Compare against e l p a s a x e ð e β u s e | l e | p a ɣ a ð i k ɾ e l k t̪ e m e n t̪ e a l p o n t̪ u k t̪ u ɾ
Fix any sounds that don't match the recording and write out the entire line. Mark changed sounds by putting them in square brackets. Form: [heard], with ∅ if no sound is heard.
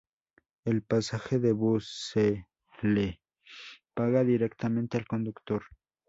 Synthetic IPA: e l p a s a x e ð e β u s e | l e | p a ɣ a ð i [∅] ɾ e [∅] k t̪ [a] m e n t̪ e a l [k] o n [d̪] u k t̪ [o] ɾ